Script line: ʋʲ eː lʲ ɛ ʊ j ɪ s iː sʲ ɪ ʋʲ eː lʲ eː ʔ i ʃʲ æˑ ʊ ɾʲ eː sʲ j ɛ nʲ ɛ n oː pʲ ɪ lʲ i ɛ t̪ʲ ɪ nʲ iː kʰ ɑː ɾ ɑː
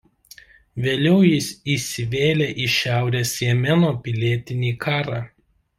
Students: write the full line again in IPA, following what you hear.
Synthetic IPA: ʋʲ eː lʲ ɛ ʊ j ɪ s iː sʲ ɪ ʋʲ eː lʲ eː ʔ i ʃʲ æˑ ʊ ɾʲ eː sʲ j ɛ mʲ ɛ n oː pʲ ɪ lʲ i ɛ t̪ʲ ɪ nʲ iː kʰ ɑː ɾ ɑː